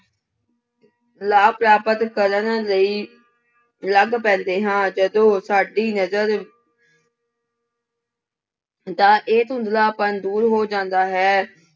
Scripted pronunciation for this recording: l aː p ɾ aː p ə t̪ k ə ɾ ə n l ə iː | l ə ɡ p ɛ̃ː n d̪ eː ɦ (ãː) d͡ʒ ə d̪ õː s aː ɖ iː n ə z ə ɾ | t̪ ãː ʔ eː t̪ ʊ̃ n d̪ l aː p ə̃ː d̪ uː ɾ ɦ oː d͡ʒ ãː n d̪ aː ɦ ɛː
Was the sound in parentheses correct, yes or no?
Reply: yes